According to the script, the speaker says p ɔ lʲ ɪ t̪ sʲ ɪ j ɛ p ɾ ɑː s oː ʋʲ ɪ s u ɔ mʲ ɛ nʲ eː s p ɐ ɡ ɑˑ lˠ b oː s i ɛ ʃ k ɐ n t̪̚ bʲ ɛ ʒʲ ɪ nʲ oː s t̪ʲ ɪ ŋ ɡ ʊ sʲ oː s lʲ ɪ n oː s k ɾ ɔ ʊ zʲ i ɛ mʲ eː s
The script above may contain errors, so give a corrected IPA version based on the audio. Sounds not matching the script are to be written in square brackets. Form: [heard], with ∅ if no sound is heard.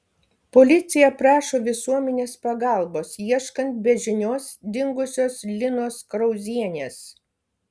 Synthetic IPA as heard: p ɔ lʲ ɪ t̪ sʲ ɪ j ɛ p ɾ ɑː [ʃ] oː ʋʲ ɪ s u ɔ mʲ ɛ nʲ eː s p ɐ ɡ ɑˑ lˠ b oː s i ɛ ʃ k ɐ n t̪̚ bʲ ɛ ʒʲ ɪ nʲ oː s [d̪ʲ] ɪ ŋ ɡ ʊ sʲ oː s lʲ ɪ n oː s k ɾ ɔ ʊ zʲ i ɛ [nʲ] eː s